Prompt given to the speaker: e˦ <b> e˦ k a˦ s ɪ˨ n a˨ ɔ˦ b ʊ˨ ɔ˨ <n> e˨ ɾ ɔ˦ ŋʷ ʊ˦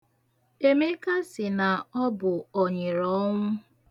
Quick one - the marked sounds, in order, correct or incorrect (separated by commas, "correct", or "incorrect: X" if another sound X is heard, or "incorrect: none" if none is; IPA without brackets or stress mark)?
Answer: incorrect: m, incorrect: ɲ